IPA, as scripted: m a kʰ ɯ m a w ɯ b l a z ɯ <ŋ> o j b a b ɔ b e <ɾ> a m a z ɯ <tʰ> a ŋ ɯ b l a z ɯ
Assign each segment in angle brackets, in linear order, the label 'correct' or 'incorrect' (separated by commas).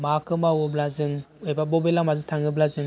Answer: correct, incorrect, correct